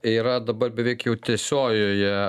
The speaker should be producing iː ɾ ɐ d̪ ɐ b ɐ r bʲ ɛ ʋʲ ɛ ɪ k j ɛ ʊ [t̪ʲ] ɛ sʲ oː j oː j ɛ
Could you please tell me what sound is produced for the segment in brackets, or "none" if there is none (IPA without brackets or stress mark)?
t̪ʲ